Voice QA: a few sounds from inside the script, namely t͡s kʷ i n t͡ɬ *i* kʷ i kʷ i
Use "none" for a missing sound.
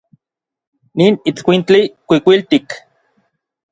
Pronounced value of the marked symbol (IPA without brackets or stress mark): i